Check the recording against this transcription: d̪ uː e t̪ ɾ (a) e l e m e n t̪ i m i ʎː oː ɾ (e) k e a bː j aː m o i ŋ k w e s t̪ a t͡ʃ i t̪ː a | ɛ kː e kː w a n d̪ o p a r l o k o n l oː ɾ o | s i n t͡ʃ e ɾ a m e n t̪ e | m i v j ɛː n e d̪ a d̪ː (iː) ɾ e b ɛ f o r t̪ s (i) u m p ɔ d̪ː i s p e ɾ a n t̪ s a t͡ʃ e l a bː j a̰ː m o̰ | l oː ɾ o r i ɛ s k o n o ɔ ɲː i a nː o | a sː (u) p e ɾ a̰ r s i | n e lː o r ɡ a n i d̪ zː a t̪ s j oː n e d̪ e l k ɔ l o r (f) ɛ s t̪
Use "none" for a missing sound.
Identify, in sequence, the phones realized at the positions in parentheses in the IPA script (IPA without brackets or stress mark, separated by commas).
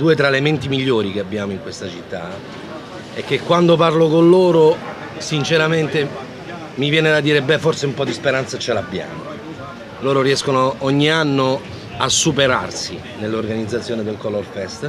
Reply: a, i, iː, e, u, f